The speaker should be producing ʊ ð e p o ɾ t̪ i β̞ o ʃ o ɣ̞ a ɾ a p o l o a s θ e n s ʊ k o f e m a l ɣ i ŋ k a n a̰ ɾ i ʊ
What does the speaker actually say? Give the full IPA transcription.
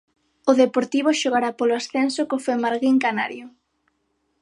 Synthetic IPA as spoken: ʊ ð e p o ɾ t̪ i β̞ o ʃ o ɣ̞ a ɾ a p o l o a s θ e n s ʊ k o f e m a ɾ ɣ i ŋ k a n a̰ ɾ j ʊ